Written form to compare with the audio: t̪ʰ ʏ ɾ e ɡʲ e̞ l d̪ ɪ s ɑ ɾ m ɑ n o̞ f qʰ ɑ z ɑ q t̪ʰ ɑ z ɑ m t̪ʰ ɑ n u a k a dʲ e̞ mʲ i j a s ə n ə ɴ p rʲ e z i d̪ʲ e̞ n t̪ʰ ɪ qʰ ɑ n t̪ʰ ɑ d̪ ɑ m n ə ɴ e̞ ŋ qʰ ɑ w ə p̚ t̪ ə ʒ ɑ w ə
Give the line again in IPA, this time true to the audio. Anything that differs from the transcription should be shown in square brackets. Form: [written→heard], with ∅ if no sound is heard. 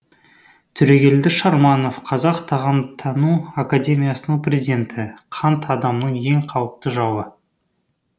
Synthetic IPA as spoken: t̪ʰ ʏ ɾ e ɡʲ e̞ l d̪ ɪ [s→ʃ] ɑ ɾ m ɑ n o̞ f qʰ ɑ z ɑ q t̪ʰ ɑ [z→ʁ] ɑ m t̪ʰ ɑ n u a k a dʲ e̞ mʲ i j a s ə n ə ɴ p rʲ e z i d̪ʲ e̞ n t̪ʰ ɪ qʰ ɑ n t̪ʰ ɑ d̪ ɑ m n ə ɴ e̞ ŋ qʰ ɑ w ə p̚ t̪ ə ʒ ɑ w ə